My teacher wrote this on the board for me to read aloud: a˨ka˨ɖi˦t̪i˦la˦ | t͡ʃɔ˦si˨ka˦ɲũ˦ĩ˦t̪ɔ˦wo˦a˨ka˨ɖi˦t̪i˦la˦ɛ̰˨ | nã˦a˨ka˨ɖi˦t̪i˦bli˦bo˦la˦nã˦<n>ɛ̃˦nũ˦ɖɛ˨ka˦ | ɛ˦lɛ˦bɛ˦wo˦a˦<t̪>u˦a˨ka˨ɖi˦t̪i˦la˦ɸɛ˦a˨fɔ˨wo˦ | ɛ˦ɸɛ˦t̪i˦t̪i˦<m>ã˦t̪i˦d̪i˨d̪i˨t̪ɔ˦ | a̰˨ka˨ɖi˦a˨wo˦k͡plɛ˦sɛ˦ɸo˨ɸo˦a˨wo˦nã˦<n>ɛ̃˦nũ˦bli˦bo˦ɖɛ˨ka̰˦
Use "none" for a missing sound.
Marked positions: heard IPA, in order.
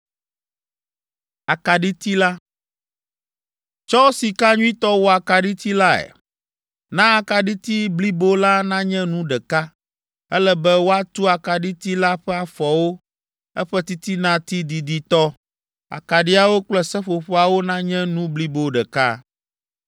ɲ, t̪, n, ɲ

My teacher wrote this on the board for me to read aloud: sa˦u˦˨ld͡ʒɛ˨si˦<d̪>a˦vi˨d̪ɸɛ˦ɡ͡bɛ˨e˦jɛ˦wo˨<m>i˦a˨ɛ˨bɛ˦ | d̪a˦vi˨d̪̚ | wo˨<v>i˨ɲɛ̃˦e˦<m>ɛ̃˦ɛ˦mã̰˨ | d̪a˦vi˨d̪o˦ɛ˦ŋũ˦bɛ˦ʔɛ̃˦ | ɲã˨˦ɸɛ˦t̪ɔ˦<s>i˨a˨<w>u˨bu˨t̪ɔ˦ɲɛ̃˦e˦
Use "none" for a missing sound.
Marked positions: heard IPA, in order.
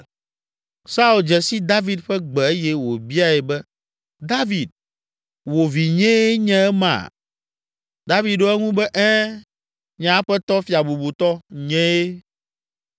d̪, b, v, ɲ, f, b

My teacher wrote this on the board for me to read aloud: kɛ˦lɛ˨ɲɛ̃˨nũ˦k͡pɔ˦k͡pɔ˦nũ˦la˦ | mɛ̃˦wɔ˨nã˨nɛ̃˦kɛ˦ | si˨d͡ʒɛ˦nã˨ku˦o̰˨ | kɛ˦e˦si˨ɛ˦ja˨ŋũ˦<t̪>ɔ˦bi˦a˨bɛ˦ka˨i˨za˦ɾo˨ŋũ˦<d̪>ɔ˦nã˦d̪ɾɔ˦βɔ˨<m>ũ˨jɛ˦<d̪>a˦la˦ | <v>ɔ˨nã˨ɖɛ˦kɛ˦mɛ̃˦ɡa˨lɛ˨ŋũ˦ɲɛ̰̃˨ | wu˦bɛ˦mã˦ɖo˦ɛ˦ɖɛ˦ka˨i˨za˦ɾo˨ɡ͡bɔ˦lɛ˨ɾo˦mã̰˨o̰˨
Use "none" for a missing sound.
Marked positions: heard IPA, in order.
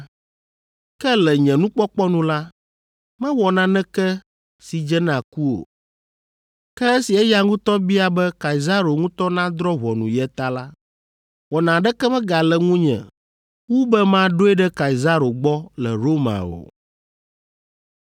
t̪, t̪, n, t̪, w

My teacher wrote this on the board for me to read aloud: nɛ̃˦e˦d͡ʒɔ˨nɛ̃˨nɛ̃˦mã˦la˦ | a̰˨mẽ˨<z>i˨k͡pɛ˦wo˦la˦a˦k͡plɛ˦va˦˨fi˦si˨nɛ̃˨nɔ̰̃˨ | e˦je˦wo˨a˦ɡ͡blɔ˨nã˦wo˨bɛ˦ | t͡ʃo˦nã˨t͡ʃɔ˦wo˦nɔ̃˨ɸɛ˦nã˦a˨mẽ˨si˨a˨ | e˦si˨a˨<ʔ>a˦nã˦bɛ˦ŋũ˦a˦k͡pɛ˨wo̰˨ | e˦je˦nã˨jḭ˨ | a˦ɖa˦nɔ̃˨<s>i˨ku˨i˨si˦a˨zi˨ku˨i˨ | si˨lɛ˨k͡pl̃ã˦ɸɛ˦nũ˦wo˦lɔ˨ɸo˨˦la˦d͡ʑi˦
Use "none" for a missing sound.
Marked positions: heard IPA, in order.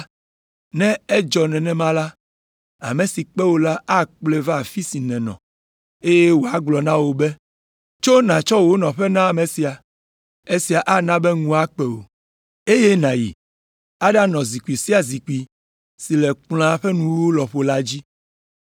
s, ʔ, z

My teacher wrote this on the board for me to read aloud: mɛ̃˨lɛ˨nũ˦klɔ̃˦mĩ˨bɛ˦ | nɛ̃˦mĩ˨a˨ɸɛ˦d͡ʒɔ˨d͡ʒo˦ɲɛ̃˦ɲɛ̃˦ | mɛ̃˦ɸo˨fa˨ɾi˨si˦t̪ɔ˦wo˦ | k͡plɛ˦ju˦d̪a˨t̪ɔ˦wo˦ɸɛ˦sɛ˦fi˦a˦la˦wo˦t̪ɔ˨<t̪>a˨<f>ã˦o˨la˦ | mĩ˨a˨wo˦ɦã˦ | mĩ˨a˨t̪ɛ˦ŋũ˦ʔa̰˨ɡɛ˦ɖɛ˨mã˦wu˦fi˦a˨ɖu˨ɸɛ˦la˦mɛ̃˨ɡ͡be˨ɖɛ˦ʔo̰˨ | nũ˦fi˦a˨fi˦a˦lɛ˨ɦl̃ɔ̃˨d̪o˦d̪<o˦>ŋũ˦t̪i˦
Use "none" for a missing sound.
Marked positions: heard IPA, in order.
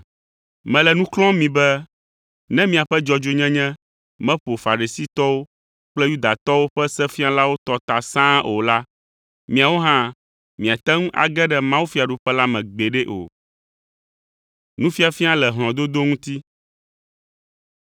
t̪, s, o˦

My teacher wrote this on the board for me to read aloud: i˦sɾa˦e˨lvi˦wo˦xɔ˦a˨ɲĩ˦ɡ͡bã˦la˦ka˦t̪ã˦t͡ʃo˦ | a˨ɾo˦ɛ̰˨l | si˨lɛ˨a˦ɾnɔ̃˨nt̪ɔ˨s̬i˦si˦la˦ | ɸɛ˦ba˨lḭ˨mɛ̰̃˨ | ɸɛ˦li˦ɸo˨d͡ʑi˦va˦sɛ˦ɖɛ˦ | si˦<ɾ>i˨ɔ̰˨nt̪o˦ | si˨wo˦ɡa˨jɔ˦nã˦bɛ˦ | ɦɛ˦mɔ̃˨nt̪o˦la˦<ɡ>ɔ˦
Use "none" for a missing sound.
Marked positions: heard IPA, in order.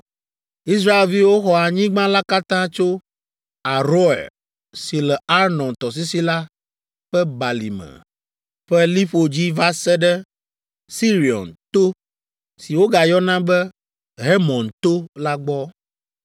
ɾ, ɡ͡b

